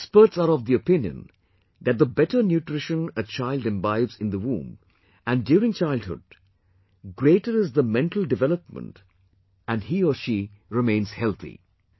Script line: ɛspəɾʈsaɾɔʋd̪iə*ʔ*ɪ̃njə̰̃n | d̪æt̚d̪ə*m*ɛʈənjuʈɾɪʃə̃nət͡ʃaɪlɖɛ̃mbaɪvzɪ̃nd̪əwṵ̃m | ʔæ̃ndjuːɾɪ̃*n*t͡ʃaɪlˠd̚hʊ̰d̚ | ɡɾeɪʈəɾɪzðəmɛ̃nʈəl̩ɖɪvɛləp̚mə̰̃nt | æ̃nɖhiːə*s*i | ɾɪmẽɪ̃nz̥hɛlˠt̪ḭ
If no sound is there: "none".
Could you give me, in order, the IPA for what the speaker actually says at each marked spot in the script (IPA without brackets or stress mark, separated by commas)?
p, b, ŋ, ʃ